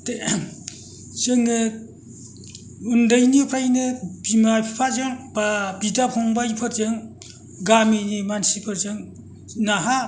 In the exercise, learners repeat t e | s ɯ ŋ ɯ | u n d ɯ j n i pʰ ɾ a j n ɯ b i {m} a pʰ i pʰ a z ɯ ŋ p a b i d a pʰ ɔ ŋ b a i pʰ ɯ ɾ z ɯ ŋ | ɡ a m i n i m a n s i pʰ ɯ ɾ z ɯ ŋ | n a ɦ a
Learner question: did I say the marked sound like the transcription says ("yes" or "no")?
yes